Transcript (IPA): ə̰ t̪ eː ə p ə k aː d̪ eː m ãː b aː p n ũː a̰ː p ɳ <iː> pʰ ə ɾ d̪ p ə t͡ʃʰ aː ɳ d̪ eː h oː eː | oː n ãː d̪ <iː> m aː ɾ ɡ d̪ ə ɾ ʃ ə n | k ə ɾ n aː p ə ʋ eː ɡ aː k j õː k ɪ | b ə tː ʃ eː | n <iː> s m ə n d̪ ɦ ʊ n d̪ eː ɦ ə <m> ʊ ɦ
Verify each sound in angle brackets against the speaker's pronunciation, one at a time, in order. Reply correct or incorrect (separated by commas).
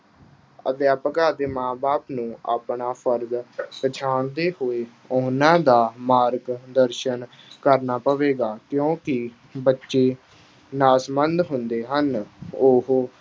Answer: incorrect, incorrect, incorrect, incorrect